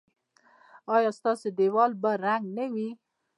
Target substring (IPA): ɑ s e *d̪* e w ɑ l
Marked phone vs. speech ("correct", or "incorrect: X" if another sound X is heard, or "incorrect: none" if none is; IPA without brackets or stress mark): correct